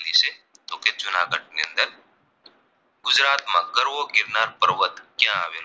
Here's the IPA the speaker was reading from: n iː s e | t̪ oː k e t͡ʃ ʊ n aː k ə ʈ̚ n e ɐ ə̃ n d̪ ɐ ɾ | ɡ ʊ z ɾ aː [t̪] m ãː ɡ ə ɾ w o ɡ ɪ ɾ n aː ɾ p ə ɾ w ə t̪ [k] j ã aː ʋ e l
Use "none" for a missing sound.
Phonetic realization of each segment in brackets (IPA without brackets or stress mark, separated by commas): t̪, k